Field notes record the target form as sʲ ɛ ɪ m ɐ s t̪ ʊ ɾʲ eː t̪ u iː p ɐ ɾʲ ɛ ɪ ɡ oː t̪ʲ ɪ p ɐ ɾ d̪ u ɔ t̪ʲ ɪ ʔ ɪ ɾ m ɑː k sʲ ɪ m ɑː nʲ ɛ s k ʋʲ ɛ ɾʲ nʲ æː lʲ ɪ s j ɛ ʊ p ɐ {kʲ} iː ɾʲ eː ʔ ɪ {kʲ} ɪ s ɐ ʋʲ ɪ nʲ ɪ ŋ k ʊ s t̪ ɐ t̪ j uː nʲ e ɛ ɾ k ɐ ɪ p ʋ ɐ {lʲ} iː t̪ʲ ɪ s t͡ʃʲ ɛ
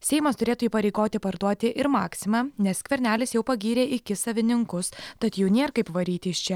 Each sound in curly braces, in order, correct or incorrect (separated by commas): incorrect, correct, incorrect